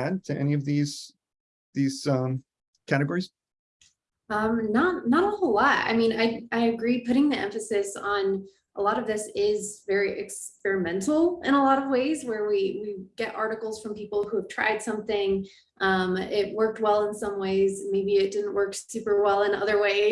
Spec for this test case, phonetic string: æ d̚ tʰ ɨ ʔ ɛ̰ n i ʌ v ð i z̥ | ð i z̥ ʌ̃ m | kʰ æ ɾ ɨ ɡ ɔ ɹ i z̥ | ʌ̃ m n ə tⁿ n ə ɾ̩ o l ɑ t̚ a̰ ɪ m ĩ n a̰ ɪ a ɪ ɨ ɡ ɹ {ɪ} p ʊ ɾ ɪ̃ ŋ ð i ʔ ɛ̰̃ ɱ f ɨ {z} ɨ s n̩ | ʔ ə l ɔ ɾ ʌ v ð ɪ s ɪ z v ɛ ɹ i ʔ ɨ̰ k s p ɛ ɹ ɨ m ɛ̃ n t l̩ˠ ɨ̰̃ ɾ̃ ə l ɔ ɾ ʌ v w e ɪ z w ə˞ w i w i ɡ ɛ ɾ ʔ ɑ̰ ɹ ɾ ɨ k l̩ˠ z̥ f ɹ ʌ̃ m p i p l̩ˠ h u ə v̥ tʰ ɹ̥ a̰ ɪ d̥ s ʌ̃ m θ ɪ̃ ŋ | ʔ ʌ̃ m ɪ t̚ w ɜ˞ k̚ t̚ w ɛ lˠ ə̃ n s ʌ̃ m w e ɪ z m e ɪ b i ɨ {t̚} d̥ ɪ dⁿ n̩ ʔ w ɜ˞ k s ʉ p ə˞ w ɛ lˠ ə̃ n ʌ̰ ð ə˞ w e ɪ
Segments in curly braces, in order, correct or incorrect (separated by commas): incorrect, incorrect, correct